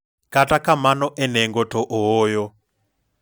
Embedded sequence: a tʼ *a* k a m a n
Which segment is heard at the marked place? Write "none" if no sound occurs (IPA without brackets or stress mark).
a